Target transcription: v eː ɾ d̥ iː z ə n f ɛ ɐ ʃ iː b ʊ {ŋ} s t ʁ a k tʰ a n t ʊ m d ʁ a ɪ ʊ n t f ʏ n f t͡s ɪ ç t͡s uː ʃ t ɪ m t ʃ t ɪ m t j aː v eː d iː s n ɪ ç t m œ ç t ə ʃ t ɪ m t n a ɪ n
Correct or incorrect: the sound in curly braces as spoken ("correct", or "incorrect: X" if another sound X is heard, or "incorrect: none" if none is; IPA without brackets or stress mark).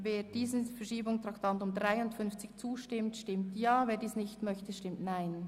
correct